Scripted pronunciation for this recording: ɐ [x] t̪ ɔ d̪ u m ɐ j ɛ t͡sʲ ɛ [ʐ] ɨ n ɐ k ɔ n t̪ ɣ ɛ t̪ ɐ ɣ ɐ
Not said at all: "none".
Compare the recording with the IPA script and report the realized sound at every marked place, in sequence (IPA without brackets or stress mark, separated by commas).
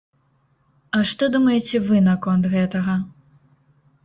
ʂ, v